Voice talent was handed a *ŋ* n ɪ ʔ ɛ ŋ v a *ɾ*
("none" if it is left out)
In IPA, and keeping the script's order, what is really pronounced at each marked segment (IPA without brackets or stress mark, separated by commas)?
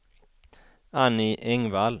none, l